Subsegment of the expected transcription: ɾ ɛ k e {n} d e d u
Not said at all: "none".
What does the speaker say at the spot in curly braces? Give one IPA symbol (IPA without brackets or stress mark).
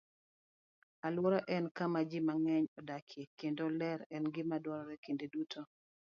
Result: n